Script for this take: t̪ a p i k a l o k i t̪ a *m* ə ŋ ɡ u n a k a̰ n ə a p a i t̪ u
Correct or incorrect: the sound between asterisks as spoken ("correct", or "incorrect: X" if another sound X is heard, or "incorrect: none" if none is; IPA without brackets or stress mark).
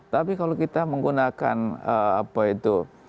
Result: correct